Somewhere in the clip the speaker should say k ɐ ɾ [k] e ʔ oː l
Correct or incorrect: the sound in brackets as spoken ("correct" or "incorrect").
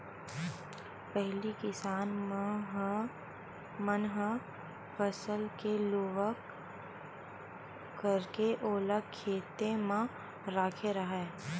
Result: correct